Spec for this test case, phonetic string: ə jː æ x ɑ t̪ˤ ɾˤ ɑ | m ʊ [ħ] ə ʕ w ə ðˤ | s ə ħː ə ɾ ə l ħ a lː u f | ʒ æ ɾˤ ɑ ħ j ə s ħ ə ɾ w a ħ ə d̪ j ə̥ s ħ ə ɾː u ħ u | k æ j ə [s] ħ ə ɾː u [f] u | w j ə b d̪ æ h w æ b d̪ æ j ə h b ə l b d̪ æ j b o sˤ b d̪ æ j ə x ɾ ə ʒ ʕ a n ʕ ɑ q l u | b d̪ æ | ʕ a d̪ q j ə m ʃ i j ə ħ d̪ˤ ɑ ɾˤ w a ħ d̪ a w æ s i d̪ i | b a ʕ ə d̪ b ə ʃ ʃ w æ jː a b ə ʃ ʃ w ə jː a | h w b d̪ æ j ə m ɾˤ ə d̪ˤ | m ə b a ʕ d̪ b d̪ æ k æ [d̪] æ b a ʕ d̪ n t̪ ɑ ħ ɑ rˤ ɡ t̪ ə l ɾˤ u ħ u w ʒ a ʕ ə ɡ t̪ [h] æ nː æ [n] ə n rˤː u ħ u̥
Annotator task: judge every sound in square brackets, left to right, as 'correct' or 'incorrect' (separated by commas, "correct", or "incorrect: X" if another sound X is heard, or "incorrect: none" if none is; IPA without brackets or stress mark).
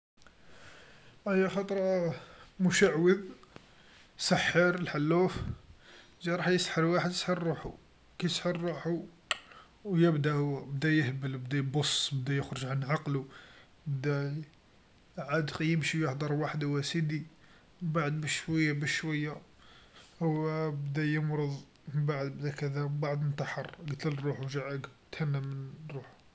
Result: incorrect: ʃ, correct, incorrect: ħ, correct, correct, incorrect: m